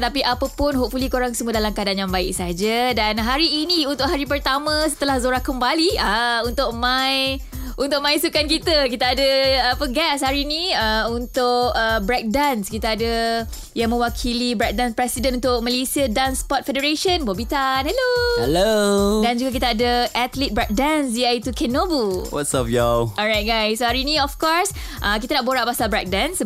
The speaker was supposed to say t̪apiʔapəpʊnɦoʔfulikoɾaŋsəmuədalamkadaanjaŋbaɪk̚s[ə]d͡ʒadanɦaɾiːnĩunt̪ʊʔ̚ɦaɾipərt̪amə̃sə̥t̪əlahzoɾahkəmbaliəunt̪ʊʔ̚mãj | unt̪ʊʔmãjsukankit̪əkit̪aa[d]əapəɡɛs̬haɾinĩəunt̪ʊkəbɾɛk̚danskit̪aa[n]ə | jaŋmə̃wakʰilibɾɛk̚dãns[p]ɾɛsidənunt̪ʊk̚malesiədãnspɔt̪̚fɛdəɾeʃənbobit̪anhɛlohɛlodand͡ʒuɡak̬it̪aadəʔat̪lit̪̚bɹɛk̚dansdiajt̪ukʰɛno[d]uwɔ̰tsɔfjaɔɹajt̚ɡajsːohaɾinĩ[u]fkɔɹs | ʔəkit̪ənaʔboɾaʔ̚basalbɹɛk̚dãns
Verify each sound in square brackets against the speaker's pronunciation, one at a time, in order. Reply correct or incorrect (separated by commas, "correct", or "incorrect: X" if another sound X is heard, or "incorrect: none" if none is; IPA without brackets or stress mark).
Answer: incorrect: a, correct, incorrect: d, correct, incorrect: b, incorrect: ɔ